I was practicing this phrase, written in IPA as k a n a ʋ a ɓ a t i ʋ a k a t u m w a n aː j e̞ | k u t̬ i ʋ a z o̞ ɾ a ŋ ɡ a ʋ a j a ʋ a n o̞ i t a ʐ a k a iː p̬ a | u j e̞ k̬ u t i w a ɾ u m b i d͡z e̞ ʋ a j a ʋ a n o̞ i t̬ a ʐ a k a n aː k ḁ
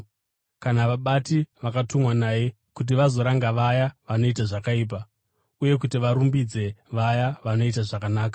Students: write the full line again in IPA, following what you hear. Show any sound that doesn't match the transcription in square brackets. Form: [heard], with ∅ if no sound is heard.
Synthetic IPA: k a n a ʋ a ɓ a t i ʋ a k a t u m w a n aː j e̞ | k u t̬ i ʋ a z o̞ ɾ a ŋ ɡ a ʋ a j a ʋ a n o̞ i t a ʐ a k a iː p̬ a | u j e̞ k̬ u t i [ʋ] a ɾ u m b i d͡z e̞ ʋ a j a ʋ a n o̞ i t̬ a ʐ a k a n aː k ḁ